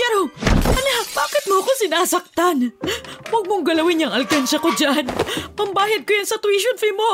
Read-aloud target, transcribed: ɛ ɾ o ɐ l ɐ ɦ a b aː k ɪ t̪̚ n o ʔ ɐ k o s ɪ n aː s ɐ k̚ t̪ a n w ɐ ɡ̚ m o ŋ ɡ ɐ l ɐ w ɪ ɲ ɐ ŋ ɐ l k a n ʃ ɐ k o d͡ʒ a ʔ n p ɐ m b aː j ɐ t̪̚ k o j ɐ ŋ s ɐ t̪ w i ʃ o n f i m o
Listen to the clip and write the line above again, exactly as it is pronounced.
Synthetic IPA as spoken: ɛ ɾ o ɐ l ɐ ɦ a b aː k ɪ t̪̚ m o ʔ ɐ k o s ɪ n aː s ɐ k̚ t̪ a n w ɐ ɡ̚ m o ŋ ɡ ɐ l ɐ w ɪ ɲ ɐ ŋ ɐ l k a n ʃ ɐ k o d͡ʒ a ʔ n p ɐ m b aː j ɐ d̪̚ k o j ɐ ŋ s ɐ t̪ w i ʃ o n f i m o